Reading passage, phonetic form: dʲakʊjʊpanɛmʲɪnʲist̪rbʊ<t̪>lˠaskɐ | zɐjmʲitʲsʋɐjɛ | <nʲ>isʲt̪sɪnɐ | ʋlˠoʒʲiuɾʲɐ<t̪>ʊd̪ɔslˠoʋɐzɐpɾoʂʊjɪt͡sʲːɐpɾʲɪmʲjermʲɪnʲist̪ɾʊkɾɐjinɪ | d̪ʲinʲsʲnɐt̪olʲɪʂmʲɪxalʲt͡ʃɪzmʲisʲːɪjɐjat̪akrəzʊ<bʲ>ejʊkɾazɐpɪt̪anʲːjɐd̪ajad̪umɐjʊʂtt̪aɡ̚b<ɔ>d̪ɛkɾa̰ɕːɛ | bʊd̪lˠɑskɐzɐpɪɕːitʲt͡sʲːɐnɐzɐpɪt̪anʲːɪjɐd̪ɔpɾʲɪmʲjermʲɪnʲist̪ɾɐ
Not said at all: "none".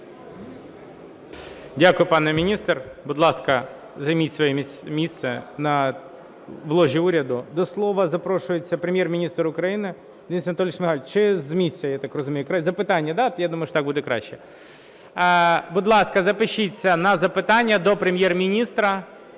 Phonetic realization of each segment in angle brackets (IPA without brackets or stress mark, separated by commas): d̪, mʲ, d̪, mʲ, u